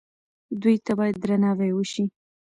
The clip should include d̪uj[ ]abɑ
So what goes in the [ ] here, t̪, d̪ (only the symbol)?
t̪